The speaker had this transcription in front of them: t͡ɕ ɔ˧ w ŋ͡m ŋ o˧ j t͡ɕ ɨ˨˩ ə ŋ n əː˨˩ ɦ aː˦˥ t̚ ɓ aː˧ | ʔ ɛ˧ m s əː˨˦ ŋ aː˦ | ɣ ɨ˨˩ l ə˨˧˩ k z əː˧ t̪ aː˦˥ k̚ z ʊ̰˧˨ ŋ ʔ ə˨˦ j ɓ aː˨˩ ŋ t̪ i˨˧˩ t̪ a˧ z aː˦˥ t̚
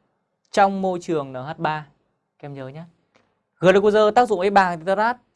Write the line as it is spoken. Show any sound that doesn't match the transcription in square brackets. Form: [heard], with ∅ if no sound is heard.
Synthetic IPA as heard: t͡ɕ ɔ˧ w ŋ͡m [m] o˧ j t͡ɕ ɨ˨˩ ə ŋ n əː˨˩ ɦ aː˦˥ t̚ ɓ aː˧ | [k] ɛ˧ m [z] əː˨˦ [ɲ] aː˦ | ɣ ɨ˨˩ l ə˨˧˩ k z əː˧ t̪ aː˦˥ k̚ z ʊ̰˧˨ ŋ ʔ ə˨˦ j ɓ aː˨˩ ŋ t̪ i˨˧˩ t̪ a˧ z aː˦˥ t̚

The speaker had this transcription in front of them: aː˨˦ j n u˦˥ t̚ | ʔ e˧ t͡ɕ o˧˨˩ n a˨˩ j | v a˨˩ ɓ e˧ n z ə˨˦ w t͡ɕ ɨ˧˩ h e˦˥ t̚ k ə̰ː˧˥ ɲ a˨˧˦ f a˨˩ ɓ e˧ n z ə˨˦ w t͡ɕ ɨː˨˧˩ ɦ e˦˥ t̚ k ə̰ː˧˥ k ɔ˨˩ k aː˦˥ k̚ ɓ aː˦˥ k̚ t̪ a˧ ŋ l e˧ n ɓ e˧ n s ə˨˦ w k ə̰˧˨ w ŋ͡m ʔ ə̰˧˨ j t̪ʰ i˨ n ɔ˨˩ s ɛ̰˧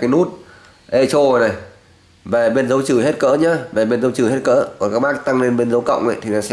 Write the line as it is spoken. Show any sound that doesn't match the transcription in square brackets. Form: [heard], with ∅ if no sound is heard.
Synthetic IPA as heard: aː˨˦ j n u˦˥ t̚ | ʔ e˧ t͡ɕ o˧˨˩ n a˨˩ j | v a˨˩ ɓ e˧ n z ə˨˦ w t͡ɕ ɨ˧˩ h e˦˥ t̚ k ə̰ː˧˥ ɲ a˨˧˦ [v] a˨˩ ɓ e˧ n z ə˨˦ w t͡ɕ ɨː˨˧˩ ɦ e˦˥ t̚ k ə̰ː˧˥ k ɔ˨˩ k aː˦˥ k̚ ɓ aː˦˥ k̚ t̪ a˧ ŋ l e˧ n ɓ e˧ n [z] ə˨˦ w k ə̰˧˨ w ŋ͡m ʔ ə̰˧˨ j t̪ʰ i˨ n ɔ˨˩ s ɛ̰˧

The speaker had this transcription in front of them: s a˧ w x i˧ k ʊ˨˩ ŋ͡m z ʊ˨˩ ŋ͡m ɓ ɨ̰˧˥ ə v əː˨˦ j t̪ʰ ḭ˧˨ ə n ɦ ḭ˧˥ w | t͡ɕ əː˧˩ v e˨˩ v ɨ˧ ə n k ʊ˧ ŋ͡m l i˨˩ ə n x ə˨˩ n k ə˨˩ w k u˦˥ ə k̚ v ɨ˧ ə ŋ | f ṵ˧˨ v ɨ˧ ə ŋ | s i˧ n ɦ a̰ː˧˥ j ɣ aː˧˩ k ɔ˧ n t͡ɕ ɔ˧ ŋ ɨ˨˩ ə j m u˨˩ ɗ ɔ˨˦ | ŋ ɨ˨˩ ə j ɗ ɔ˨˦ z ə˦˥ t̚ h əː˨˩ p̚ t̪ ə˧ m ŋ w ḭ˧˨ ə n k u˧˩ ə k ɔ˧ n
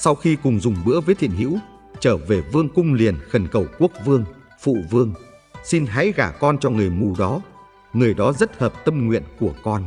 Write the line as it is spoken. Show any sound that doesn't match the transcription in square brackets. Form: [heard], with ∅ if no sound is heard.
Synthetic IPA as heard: s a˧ w x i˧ k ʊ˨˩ ŋ͡m z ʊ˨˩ ŋ͡m ɓ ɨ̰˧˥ ə v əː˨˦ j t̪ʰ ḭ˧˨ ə n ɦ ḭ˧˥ w | t͡ɕ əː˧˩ v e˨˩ v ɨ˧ ə [ŋ] k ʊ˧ ŋ͡m l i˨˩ ə n x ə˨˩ n k ə˨˩ w k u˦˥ ə k̚ v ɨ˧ ə ŋ | f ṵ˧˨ v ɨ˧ ə ŋ | s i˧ n ɦ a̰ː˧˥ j ɣ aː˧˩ k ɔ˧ n t͡ɕ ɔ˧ ŋ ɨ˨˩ ə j m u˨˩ ɗ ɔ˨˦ | ŋ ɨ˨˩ ə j ɗ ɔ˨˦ z ə˦˥ t̚ h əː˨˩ p̚ t̪ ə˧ m ŋ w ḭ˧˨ ə n k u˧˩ ə k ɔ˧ n

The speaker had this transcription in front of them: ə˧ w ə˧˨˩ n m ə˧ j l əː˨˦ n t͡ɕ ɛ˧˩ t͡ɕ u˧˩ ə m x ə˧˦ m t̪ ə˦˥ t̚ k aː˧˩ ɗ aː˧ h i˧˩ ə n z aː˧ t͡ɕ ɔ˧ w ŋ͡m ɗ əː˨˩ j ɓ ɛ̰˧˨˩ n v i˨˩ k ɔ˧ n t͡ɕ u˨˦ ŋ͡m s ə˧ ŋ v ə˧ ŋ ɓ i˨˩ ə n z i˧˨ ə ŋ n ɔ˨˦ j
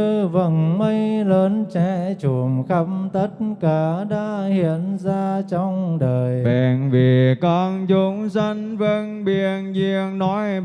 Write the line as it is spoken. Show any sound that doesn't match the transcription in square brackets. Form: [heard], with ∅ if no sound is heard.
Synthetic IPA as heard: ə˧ [v] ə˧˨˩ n m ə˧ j l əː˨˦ n t͡ɕ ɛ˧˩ t͡ɕ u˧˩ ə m x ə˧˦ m t̪ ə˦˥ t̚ k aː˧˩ ɗ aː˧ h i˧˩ ə n z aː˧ t͡ɕ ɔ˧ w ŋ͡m ɗ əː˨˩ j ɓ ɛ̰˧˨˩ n v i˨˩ k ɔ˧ n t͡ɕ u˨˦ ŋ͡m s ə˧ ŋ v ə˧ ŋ ɓ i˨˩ ə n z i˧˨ ə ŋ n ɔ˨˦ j

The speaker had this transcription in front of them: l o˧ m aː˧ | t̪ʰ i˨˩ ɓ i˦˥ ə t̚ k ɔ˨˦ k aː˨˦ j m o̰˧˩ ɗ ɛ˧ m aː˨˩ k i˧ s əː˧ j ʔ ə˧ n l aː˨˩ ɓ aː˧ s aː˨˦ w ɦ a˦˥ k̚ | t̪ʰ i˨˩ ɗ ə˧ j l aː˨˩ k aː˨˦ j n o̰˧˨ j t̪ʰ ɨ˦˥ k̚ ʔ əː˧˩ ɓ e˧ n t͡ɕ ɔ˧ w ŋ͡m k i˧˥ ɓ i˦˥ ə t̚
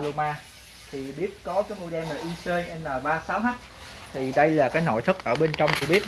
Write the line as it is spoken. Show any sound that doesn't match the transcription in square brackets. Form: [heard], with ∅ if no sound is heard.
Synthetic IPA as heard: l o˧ m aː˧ | t̪ʰ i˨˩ ɓ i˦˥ ə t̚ k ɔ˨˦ k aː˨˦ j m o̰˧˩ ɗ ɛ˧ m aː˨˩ [ʔ] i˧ s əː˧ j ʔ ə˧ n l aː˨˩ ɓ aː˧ s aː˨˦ w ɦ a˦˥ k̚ | t̪ʰ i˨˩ ɗ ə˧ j l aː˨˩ k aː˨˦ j n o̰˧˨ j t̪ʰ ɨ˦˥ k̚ ʔ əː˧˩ ɓ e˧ n t͡ɕ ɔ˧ w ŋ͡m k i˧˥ ɓ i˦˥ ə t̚

